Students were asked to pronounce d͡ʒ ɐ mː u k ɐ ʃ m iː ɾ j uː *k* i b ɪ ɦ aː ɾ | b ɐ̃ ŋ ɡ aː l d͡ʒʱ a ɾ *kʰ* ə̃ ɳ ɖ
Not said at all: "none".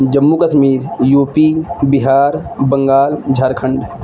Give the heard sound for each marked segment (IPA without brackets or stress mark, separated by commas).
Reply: p, kʰ